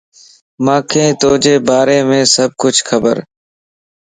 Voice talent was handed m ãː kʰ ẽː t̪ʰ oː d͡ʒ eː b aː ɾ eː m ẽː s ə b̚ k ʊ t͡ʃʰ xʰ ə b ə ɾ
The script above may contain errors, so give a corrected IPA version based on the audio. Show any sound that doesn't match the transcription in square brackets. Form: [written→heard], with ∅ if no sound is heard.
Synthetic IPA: m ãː kʰ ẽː [t̪ʰ→t̪] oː d͡ʒ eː b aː ɾ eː m ẽː s ə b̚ k ʊ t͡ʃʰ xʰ ə b ə ɾ